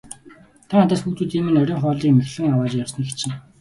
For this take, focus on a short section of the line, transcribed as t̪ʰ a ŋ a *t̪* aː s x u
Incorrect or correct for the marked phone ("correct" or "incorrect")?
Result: correct